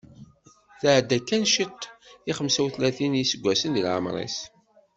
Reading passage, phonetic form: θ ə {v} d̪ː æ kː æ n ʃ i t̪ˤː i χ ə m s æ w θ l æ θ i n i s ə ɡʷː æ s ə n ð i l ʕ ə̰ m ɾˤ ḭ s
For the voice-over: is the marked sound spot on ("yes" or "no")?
no